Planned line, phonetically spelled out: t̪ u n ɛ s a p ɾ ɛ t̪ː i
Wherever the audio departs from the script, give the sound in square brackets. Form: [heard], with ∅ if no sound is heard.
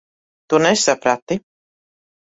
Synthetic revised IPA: t̪ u n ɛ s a p ɾ [a] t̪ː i